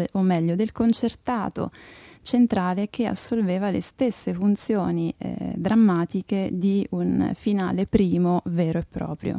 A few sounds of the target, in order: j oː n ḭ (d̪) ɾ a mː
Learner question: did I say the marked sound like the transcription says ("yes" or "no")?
yes